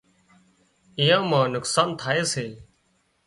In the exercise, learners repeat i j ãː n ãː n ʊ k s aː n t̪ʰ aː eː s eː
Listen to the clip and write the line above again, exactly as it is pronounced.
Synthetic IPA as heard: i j ãː m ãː n ʊ k s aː n t̪ʰ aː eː s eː